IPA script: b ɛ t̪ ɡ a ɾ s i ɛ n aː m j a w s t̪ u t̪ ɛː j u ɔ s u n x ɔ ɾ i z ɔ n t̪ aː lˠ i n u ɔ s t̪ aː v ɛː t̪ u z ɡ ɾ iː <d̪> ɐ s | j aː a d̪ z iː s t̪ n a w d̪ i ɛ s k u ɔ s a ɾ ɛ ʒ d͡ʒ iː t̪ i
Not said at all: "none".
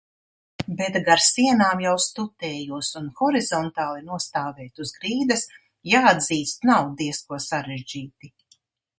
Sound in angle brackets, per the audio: d̪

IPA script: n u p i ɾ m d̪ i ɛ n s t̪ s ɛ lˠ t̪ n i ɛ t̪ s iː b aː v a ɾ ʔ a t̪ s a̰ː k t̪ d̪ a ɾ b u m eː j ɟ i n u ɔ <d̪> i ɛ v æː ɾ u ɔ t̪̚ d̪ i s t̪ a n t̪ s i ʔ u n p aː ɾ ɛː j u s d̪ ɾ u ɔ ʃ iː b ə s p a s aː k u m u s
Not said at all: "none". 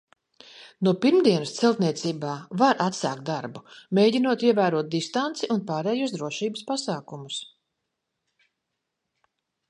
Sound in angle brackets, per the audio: t̪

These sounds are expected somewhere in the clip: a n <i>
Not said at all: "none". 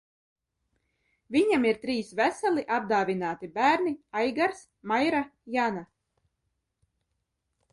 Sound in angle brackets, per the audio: a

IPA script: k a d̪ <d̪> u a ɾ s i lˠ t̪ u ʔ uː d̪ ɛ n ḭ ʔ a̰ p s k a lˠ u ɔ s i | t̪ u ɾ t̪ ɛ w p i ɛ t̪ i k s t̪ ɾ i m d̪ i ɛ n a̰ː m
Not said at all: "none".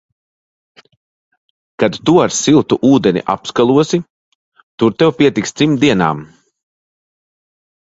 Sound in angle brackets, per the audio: t̪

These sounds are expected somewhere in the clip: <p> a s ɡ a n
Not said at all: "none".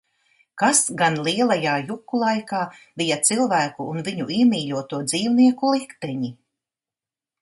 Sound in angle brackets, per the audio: k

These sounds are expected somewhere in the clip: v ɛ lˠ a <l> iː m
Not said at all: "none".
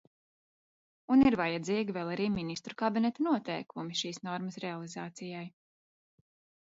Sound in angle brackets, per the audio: ɾ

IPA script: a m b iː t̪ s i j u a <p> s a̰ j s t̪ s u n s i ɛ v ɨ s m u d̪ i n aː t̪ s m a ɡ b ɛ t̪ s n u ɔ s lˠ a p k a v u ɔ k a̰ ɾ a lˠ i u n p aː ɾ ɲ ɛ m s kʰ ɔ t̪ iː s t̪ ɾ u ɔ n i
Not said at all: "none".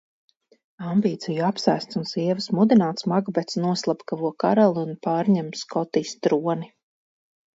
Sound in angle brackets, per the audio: p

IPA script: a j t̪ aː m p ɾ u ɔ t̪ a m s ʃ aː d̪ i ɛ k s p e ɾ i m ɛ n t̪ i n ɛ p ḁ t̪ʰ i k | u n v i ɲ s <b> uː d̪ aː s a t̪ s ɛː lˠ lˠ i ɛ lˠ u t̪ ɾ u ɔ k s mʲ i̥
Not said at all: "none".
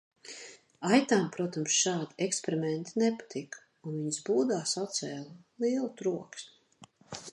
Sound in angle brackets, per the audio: b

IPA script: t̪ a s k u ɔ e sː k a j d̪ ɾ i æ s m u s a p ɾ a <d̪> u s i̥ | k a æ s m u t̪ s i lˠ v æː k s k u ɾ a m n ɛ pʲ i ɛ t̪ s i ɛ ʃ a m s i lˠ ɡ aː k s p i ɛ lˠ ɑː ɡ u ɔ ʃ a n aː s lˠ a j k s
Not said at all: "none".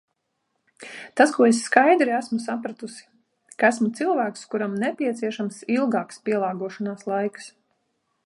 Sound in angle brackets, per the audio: t̪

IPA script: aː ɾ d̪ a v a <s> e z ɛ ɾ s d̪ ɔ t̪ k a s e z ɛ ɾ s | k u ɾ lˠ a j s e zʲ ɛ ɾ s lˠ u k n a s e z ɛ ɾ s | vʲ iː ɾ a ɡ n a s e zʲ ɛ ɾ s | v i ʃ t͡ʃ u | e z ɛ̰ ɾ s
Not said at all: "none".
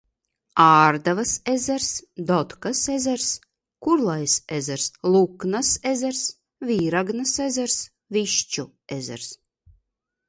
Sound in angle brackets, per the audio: s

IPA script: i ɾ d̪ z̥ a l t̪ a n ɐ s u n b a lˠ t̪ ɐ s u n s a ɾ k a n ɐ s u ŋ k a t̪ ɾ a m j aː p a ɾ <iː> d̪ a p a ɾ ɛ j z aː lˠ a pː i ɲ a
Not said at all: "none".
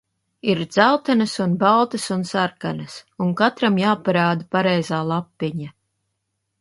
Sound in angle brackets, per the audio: aː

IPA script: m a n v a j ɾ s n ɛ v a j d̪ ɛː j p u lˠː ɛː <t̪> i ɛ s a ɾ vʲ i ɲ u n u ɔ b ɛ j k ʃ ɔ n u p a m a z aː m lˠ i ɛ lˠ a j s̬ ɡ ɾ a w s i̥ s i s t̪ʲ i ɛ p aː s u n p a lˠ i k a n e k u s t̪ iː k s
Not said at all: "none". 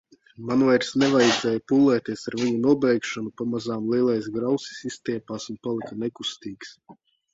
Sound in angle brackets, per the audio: t̪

